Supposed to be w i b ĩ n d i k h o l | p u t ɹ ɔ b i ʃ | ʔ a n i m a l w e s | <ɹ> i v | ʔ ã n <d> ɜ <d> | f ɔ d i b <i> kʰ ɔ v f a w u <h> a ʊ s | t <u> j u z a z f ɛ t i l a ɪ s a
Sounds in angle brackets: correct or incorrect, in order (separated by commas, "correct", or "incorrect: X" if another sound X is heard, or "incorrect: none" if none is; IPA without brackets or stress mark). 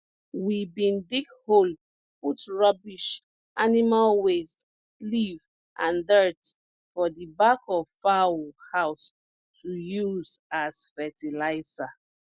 incorrect: l, correct, incorrect: t, incorrect: a, correct, correct